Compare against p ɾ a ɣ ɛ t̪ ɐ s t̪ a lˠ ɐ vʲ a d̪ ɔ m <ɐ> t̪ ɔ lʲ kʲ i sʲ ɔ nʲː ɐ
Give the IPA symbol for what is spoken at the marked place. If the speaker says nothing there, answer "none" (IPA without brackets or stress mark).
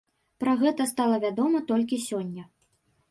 ɐ